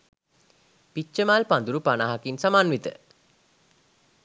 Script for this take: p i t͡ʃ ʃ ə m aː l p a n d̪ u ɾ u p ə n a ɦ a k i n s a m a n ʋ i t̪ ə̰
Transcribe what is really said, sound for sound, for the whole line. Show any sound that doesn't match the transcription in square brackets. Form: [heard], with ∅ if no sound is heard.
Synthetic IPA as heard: p i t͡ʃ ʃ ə m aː l p a n d̪ u ɾ u p [a] n a ɦ a k i n s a m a n ʋ i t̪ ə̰